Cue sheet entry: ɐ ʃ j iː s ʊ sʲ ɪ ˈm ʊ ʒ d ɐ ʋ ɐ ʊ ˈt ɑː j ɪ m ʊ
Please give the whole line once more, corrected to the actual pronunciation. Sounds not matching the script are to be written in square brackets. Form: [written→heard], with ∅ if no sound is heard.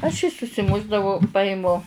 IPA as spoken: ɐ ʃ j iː s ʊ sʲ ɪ ˈm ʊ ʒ d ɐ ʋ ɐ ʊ [ˈt→ˈp] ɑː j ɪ m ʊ

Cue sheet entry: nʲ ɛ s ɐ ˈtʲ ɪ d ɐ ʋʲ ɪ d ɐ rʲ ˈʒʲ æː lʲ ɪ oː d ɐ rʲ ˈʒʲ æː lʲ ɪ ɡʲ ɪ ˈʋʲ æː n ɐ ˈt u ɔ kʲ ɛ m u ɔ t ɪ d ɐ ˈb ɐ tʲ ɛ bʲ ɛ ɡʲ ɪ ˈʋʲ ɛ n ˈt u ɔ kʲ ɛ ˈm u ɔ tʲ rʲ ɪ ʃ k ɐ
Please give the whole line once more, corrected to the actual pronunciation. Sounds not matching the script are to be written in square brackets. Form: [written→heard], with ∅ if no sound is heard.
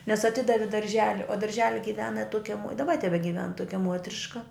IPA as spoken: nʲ ɛ s ɐ ˈtʲ ɪ d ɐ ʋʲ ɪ d ɐ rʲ ˈʒʲ æː lʲ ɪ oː d ɐ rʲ ˈʒʲ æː lʲ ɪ ɡʲ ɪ ˈʋʲ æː n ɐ ˈt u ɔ kʲ ɛ m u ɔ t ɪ d ɐ ˈb ɐ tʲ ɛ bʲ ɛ ɡʲ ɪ ˈʋʲ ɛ n ˈt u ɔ kʲ ɛ ˈm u ɔ tʲ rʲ ɪ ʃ k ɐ

